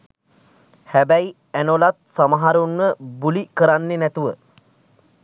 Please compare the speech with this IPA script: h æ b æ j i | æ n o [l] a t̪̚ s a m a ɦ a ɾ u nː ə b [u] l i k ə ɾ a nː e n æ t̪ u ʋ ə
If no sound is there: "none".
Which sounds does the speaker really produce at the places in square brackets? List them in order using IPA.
l, u

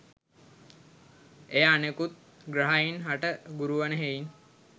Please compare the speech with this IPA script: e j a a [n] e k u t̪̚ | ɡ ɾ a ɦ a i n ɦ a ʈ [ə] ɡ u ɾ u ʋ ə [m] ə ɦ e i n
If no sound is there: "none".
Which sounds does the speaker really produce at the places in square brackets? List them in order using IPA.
n, ə, n

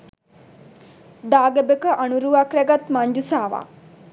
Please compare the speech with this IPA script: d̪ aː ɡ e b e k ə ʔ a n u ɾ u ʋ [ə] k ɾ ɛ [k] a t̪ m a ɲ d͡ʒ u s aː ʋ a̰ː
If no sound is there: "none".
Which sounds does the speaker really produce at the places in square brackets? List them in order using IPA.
a, ɡ

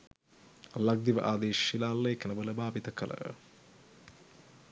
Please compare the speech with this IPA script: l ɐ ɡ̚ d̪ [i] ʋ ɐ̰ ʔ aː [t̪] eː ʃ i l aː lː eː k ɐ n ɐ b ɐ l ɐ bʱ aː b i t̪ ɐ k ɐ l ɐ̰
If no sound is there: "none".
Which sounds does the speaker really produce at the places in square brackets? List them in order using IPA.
i, d̪

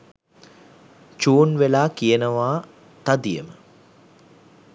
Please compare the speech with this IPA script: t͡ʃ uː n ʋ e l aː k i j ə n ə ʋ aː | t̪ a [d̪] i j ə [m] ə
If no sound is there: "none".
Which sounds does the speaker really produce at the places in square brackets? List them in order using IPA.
d̪, m

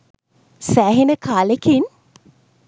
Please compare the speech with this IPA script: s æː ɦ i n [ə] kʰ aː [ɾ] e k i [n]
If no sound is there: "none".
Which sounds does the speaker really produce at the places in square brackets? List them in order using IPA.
ə, l, n

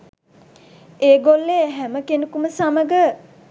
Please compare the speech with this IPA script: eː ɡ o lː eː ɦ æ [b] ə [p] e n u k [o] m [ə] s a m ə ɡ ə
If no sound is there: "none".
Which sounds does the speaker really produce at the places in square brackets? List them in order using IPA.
m, k, u, ə

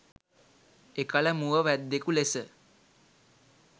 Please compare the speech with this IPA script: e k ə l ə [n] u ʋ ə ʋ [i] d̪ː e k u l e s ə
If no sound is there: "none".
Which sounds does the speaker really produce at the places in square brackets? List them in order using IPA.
m, æ

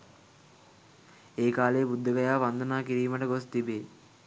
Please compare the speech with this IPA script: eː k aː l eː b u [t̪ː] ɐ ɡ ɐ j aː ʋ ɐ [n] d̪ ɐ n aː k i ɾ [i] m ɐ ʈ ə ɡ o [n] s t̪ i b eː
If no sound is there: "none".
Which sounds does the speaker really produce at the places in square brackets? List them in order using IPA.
d̪ː, n, iː, none

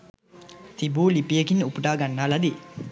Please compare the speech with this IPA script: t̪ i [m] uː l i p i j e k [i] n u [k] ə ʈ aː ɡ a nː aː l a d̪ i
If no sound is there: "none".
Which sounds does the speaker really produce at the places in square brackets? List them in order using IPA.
b, i, p

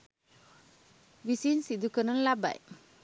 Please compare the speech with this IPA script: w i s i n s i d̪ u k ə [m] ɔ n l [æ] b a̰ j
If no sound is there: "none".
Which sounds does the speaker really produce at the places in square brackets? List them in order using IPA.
n, a

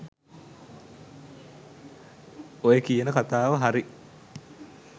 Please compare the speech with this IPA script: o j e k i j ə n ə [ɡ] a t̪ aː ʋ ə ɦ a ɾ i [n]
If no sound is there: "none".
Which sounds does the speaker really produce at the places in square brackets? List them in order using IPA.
k, none

